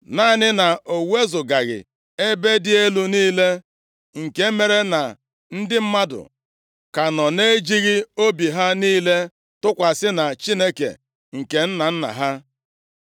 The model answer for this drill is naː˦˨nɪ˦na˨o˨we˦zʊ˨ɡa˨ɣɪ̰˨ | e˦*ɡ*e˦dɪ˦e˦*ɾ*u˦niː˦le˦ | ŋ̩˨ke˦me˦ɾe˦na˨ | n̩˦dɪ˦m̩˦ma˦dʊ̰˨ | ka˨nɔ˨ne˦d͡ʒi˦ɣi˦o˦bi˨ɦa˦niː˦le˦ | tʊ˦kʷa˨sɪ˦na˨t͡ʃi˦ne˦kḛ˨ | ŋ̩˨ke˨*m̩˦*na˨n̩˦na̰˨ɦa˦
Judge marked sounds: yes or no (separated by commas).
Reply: no, no, no